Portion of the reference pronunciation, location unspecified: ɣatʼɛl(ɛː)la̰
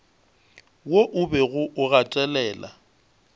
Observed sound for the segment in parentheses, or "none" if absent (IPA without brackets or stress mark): ɛː